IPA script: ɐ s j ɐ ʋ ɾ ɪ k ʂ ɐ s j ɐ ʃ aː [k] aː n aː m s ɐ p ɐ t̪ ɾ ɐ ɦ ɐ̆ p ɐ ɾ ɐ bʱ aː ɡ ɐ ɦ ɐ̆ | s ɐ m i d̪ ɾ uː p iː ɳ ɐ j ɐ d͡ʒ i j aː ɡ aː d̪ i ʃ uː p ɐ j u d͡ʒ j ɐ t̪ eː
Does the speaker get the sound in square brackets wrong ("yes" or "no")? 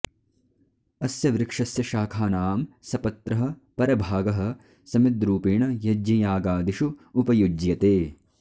yes